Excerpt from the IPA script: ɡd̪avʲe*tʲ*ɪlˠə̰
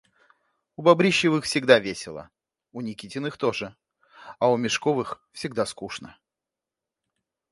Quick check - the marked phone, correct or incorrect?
incorrect